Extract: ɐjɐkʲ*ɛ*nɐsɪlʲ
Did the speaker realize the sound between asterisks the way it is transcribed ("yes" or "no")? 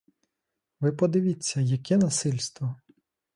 yes